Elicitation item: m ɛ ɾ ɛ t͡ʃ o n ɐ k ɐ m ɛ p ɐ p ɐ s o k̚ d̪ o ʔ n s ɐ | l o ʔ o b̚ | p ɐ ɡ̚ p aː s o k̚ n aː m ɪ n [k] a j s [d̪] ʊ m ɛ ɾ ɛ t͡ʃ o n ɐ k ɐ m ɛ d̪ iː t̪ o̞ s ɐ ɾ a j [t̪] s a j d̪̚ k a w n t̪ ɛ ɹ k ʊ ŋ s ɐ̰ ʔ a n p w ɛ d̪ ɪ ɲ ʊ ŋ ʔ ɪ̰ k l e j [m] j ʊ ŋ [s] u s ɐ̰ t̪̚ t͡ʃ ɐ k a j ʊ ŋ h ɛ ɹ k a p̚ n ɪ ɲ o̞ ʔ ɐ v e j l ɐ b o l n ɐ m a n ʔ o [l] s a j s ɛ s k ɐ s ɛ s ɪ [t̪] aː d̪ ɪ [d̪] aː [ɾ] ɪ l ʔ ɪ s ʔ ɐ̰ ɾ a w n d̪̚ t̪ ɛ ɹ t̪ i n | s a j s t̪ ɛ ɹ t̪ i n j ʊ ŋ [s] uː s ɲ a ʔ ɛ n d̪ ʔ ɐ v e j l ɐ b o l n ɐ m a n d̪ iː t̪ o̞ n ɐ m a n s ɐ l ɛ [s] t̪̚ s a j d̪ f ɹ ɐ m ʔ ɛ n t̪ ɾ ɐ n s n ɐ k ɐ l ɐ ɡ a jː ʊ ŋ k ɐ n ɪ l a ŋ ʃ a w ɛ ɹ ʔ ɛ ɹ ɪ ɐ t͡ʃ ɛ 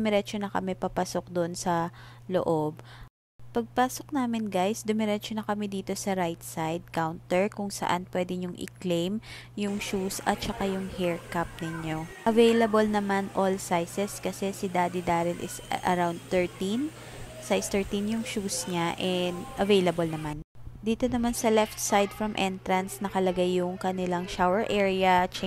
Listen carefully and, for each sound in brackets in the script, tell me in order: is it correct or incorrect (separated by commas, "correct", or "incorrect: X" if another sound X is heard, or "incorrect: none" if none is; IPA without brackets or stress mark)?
incorrect: ɡ, correct, correct, correct, incorrect: ʃ, correct, incorrect: d̪, correct, correct, incorrect: ʃ, incorrect: f